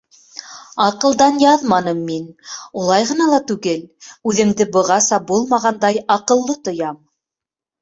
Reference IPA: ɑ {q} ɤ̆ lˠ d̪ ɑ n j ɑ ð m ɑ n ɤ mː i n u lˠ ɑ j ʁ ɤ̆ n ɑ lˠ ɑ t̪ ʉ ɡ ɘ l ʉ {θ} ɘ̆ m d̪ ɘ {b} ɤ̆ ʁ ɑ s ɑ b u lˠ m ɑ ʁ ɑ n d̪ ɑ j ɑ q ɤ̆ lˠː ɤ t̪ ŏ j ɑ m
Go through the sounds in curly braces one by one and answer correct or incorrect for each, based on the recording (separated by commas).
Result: correct, incorrect, correct